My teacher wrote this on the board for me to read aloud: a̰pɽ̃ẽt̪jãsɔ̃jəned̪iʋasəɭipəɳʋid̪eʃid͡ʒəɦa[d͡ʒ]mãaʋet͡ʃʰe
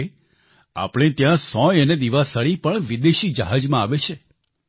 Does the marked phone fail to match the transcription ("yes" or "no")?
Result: no